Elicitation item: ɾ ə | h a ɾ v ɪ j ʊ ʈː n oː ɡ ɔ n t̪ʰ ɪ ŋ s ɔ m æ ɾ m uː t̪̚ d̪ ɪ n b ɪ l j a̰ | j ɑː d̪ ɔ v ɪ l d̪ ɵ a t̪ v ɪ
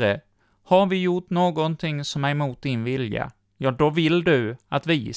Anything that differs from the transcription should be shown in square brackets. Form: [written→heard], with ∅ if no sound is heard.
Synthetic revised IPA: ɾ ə | h a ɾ v ɪ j ʊ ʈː n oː ɡ ɔ n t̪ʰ ɪ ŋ s ɔ m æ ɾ m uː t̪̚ d̪ ɪ n [b→v] ɪ l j a̰ | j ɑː d̪ ɔ v ɪ l d̪ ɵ a t̪ v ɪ